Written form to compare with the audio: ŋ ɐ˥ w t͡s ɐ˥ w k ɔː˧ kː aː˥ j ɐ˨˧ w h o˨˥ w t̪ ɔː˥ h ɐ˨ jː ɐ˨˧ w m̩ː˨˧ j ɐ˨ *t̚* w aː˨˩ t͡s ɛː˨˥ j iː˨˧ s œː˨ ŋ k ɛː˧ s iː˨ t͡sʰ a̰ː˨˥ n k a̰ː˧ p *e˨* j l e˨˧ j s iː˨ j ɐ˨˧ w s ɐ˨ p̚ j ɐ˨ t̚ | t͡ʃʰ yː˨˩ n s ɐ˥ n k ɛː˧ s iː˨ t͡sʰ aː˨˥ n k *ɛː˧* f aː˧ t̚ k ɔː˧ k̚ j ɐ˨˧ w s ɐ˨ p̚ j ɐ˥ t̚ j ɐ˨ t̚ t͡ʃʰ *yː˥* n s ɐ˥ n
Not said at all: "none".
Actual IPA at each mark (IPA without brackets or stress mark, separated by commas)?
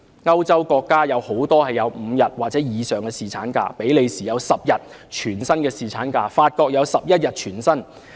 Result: t̚, e˨˥, aː˧, yː˨˩